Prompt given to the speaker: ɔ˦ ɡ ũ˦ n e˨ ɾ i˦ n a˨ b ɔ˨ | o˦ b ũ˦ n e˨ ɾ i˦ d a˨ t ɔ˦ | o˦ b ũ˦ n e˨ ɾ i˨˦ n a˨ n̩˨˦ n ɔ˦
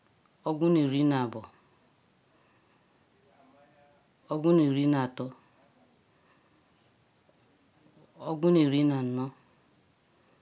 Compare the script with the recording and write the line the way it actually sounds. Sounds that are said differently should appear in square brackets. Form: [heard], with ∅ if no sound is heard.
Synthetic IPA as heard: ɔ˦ ɡ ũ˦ n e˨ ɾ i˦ n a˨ b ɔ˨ | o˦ [ɡ] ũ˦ n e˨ ɾ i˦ [n] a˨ t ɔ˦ | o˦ [ɡ] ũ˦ n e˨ ɾ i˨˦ n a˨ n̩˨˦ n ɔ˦